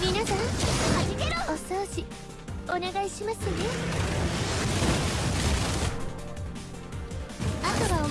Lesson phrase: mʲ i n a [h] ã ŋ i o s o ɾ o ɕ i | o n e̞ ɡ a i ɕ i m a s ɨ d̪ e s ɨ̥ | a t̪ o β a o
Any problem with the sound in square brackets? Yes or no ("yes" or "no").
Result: yes